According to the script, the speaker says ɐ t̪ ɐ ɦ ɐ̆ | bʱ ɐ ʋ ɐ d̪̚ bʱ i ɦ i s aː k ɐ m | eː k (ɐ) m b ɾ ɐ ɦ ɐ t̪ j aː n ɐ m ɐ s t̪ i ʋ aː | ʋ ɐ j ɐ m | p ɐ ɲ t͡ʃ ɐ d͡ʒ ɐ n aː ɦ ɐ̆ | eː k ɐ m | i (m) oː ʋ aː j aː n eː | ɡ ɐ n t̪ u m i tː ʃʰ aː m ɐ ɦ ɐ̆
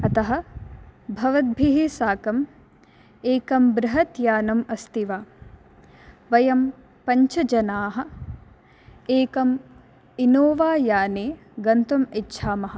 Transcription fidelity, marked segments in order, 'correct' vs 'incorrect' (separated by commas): correct, incorrect